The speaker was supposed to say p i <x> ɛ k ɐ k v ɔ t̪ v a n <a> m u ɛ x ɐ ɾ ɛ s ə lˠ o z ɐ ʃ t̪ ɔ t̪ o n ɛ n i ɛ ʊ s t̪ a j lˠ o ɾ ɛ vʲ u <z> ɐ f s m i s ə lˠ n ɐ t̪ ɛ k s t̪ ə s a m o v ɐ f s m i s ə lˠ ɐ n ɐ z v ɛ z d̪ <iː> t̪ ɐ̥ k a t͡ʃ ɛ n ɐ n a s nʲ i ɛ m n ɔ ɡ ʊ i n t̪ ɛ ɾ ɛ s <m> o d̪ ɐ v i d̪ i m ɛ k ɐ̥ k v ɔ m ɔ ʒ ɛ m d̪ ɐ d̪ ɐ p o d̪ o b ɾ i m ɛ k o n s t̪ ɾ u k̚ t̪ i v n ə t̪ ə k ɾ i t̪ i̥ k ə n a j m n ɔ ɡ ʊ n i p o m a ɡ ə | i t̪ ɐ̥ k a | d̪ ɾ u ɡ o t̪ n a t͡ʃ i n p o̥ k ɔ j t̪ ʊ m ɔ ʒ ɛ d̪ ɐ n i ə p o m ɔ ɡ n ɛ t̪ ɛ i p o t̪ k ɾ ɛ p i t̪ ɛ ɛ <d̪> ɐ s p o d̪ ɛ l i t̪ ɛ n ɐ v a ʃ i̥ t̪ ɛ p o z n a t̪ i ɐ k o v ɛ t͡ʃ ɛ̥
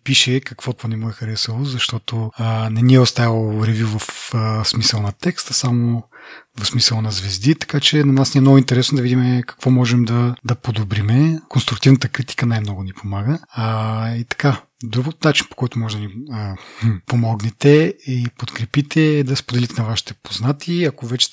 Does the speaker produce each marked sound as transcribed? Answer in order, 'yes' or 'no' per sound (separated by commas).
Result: no, no, no, no, no, yes